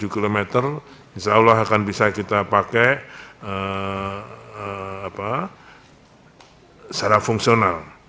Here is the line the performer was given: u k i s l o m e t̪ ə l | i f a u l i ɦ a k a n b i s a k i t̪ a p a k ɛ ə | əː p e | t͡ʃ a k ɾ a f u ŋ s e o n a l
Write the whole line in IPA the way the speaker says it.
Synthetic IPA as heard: u k i l o m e t̪ ə r | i s a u l a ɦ a k a n b i s a k i t̪ a p a k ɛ ə | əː p a | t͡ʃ a ɾ a f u ŋ s i o n a l